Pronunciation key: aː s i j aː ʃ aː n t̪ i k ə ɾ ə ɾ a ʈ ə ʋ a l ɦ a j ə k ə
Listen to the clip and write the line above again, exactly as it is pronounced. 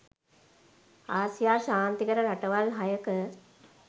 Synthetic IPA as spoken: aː s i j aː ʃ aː n t̪ i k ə ɾ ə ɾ a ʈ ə ʋ a l ɦ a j ə k ə